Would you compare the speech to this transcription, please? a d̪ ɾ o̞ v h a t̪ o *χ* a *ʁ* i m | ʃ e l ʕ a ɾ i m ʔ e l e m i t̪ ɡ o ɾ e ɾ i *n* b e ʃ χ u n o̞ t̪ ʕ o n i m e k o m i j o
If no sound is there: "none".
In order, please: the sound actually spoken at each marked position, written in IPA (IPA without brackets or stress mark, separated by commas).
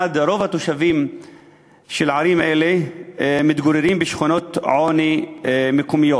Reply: ʃ, v, m